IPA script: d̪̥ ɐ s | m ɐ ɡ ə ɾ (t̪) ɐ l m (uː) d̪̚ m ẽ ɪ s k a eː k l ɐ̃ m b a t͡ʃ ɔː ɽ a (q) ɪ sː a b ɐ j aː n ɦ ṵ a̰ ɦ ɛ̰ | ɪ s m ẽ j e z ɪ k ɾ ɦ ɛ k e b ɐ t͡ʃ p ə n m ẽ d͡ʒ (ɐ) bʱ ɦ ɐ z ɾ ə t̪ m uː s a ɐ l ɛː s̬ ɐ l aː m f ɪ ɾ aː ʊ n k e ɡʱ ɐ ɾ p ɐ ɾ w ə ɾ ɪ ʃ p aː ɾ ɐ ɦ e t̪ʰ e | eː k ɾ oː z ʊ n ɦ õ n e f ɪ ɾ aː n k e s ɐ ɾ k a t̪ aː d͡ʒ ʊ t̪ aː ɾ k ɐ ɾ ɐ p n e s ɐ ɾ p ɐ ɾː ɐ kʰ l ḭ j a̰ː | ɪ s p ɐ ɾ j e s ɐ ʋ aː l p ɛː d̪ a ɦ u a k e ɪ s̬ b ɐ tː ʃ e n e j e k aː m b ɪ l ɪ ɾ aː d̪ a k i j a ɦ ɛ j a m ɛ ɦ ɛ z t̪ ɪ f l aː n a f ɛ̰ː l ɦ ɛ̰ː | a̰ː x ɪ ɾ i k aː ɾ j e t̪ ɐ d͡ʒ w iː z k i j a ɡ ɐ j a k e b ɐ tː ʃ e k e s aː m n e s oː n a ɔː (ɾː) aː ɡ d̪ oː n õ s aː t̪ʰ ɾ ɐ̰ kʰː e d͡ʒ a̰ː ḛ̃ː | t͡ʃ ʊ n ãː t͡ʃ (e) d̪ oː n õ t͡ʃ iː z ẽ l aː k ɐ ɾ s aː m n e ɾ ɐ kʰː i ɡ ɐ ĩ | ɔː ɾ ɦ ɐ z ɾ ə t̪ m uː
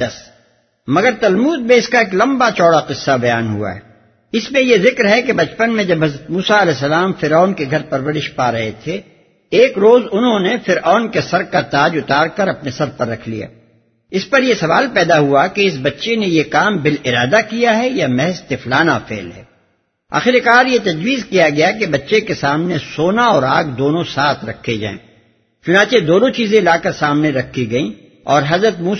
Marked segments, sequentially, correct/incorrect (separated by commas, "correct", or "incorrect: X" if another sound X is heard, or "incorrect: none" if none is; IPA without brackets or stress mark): correct, correct, correct, correct, incorrect: ɾ, correct